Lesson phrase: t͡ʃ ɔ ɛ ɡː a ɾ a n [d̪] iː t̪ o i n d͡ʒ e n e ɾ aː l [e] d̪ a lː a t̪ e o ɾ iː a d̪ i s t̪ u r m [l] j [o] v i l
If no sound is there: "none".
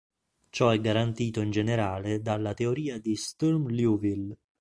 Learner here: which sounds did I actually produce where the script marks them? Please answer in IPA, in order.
t̪, e, l, u

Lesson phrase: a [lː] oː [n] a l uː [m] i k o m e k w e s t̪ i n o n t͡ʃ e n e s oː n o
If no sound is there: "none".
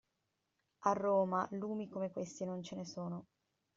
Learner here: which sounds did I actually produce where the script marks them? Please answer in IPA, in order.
rː, m, m

